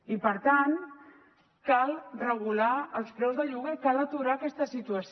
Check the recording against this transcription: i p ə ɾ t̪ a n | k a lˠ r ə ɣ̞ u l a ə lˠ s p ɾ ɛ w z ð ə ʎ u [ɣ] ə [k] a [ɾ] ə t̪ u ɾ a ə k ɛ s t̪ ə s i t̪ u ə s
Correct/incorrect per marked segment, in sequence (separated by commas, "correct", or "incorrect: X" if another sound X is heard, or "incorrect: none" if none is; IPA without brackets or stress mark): correct, correct, incorrect: l